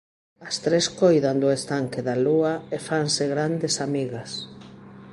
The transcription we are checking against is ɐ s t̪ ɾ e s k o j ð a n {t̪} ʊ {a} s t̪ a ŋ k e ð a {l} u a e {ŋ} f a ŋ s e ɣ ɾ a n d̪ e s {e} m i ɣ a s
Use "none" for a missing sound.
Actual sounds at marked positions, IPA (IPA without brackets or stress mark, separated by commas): d̪, e, l, none, a